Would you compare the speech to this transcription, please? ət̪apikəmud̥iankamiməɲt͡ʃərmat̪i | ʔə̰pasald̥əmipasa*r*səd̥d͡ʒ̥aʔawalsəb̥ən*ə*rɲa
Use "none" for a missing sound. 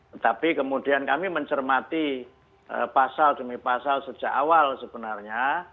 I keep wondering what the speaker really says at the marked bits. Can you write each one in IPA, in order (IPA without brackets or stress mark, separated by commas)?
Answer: l, a